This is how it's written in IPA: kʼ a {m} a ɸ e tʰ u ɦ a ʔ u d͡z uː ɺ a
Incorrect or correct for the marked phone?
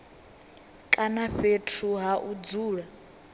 incorrect: n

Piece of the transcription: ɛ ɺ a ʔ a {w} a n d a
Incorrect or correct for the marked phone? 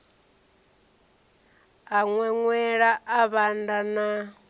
incorrect: β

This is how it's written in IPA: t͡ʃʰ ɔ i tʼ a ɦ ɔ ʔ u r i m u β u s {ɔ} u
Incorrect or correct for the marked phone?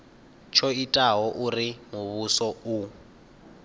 correct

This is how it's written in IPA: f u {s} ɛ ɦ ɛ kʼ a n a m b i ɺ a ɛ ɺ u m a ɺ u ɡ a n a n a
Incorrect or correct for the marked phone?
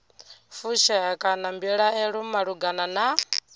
incorrect: ʃ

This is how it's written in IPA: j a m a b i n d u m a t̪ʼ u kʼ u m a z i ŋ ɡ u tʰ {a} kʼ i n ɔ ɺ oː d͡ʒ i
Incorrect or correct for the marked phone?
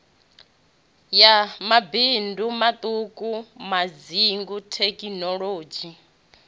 incorrect: ɛ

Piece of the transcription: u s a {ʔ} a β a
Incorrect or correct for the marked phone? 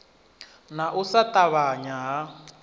incorrect: t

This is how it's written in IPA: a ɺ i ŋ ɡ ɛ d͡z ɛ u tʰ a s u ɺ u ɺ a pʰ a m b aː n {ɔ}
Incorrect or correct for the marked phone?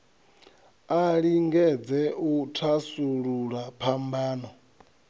correct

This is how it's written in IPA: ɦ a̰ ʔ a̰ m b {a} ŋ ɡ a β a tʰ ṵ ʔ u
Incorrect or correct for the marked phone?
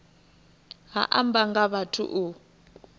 correct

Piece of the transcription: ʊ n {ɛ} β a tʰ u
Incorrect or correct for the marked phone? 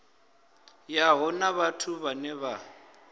incorrect: a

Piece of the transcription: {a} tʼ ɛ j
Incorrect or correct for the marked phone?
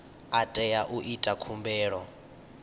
correct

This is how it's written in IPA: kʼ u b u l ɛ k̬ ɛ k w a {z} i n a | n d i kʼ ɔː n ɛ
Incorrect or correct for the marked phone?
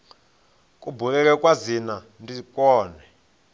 correct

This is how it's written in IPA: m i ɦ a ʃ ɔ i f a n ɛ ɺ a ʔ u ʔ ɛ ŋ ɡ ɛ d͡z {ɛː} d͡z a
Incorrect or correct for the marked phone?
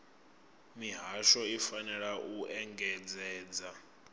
correct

